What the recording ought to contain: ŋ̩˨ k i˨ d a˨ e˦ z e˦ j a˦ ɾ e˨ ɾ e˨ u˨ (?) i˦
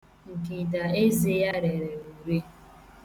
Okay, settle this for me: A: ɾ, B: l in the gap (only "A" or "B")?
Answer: A